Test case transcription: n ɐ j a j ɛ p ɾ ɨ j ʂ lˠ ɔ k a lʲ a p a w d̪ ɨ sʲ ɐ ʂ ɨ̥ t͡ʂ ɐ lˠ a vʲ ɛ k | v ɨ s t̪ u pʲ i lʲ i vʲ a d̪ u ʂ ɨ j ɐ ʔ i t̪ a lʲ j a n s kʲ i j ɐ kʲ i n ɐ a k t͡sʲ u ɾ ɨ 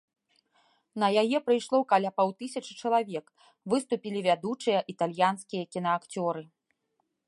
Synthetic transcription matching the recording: n ɐ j a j ɛ p ɾ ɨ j ʂ lˠ ɔ k a lʲ a p a w t̪ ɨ sʲ ɐ t͡ʂ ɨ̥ t͡ʂ ɐ lˠ a vʲ ɛ k | v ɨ s t̪ u pʲ i lʲ i vʲ a d̪ u t͡ʂ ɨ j ɐ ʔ i t̪ a lʲ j a n s kʲ i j ɐ kʲ i n ɐ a k t͡sʲ ɔ ɾ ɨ

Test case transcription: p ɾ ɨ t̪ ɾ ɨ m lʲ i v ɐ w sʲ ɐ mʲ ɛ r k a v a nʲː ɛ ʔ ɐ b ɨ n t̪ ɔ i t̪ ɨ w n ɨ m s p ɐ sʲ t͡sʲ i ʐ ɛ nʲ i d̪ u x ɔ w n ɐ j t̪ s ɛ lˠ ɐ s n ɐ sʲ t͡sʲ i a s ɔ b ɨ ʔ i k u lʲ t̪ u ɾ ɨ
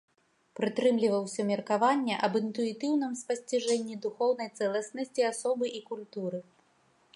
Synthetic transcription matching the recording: p ɾ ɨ t̪ ɾ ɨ m lʲ i v ɐ w sʲ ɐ mʲ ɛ r k a v a nʲː ɛ ʔ ɐ b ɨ n t̪ u i t̪ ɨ w n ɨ m s p ɐ sʲ t͡sʲ i ʐ ɛ nʲː i d̪ u x ɔ w n ɐ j t̪ s ɛ lˠ ɐ s n ɐ sʲ t͡sʲ i a s ɔ b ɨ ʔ i k u lʲ t̪ u ɾ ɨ

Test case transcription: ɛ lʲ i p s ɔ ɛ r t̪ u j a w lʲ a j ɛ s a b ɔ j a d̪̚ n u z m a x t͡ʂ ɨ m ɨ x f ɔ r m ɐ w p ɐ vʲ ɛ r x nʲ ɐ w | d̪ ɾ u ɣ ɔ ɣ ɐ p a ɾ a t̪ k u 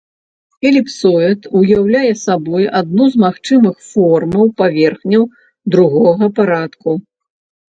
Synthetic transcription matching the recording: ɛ lʲ i p s ɔ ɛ t̪ u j a w lʲ a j ɛ s a b ɔ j a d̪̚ n u z m a x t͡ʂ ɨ m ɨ x f ɔ r m ɐ w p a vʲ ɛ r x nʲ ɐ w | d̪ ɾ u ɣ ɔ ɣ ɐ p a ɾ a t̪ k u

